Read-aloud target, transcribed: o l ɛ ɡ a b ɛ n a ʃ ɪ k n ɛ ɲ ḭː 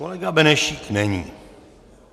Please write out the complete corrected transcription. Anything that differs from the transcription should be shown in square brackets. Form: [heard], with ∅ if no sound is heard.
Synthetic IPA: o l ɛ ɡ a b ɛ n [ɛ] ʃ [i] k n ɛ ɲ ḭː